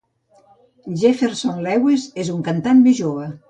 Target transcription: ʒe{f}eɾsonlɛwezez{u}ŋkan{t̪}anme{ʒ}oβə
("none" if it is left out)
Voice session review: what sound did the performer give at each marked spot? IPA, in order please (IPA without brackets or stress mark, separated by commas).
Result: f, u, t̪, ʒ